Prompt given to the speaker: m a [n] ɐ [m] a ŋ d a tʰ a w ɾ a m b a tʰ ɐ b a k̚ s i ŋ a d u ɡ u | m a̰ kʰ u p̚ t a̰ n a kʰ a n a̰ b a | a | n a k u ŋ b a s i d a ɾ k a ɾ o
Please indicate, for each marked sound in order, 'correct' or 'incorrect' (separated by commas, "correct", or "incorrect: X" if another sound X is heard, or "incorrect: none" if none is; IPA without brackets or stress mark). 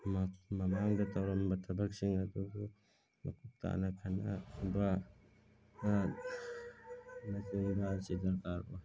incorrect: m, correct